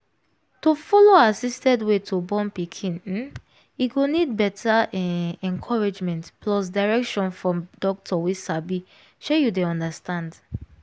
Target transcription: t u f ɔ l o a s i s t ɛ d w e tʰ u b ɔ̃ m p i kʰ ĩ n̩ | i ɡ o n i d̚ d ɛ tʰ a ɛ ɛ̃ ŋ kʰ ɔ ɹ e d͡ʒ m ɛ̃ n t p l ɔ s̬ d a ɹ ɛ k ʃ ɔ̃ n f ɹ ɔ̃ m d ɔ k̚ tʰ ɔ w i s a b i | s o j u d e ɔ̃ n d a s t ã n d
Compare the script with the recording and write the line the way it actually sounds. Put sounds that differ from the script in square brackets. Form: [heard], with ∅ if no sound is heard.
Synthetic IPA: t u f ɔ l o a s i s t ɛ d w e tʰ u b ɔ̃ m p i kʰ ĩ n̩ | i ɡ o n i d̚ [b] ɛ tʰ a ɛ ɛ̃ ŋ kʰ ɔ ɹ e d͡ʒ m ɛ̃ n t p l ɔ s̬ d a ɹ ɛ k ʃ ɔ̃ n f ɹ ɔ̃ m d ɔ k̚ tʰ ɔ w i s a b i | [ʃ] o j u d e ɔ̃ n d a s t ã n d